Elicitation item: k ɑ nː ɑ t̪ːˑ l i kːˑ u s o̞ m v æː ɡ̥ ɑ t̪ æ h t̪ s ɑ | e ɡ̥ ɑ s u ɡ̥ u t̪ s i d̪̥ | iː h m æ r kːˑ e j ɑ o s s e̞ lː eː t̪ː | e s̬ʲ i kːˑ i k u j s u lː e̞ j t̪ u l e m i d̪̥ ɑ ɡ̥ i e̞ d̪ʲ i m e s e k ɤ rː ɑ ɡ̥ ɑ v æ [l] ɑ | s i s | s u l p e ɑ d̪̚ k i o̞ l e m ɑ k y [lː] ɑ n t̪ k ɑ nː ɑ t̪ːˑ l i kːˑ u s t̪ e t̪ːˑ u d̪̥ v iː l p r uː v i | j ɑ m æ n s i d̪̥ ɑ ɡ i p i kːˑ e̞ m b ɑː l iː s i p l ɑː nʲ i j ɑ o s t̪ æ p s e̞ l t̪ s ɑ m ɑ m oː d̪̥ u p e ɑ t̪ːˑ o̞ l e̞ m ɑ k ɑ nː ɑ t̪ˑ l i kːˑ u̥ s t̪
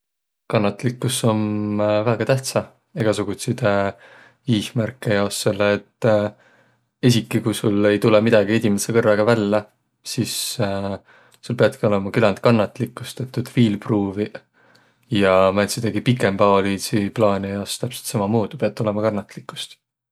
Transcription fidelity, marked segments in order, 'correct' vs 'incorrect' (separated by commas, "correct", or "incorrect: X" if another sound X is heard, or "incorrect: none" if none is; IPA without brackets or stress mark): incorrect: lː, incorrect: l